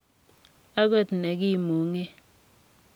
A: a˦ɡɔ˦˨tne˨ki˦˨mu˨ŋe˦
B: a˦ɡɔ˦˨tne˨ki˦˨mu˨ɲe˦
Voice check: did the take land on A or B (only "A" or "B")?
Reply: A